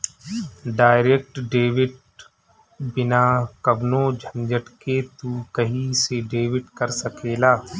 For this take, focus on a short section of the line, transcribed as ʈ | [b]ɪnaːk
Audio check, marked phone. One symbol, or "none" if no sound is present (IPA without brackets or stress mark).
b